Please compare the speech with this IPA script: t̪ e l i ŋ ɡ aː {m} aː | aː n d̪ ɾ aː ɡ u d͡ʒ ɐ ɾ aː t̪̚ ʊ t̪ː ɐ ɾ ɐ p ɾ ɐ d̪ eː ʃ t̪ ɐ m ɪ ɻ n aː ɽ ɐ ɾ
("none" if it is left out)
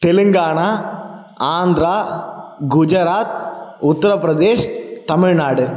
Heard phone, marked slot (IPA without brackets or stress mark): ɳ